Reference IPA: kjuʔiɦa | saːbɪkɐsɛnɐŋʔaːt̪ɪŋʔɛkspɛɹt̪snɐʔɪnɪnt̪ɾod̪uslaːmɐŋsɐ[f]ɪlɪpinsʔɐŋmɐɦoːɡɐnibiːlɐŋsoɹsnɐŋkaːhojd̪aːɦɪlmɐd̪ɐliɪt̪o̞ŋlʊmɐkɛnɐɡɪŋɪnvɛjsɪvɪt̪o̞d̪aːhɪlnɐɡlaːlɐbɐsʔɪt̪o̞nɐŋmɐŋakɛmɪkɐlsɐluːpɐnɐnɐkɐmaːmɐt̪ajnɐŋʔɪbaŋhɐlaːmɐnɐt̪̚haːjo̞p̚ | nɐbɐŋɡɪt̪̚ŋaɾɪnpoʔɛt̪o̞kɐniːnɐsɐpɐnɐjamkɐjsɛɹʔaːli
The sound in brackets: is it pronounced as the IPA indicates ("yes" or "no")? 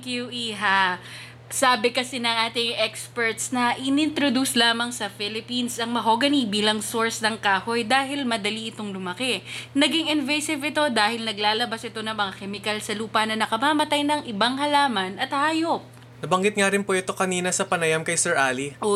yes